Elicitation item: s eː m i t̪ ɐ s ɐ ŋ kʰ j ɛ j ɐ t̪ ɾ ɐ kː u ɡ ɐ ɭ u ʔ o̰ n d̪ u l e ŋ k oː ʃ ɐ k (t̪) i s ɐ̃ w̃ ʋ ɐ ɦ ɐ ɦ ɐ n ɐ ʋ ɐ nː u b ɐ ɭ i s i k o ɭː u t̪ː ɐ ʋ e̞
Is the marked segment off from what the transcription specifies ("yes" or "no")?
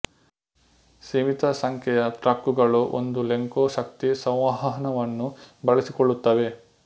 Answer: no